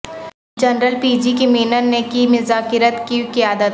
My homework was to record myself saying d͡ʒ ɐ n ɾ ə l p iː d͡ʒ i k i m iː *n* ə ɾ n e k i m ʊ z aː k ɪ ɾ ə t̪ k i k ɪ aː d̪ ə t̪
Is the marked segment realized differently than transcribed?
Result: no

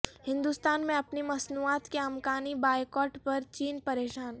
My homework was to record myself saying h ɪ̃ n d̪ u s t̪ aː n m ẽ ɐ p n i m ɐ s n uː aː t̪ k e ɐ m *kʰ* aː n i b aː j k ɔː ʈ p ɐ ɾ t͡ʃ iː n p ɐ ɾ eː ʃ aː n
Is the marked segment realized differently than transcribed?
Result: yes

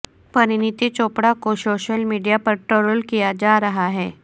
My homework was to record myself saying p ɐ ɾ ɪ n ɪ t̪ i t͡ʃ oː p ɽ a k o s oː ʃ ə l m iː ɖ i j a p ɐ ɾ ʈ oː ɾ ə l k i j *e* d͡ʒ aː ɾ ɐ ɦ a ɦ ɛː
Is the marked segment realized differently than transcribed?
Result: yes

